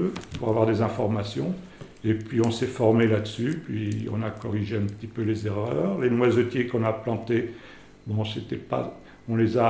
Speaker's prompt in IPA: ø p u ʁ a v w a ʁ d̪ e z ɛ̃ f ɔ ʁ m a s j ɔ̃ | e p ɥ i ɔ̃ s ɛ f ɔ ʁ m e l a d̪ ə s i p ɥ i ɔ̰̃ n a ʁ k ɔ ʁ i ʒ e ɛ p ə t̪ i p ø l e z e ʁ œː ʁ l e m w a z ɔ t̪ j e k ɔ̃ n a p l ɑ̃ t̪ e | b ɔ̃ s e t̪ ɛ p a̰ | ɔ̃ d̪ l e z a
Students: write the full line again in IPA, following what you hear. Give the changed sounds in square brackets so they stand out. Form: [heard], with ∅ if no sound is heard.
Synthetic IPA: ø p u ʁ a v w a ʁ d̪ e z ɛ̃ f ɔ ʁ m a s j ɔ̃ | e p ɥ i ɔ̃ s ɛ f ɔ ʁ m e l a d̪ ə s [y] p ɥ i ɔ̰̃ n a [∅] k ɔ ʁ i ʒ e [ɛ̃] p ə t̪ i p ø l e z e ʁ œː ʁ l e [n] w a z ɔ t̪ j e k ɔ̃ n a p l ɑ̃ t̪ e | b ɔ̃ s e t̪ ɛ p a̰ | ɔ̃ [∅] l e z a